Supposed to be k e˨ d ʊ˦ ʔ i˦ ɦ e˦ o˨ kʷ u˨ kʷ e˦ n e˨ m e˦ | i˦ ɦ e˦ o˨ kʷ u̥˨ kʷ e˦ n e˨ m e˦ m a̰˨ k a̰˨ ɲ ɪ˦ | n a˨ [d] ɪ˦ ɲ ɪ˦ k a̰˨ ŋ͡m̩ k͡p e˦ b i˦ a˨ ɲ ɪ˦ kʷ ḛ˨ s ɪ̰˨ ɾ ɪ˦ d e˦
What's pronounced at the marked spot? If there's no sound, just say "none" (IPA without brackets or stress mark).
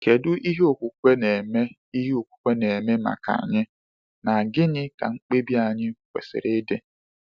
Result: ɡ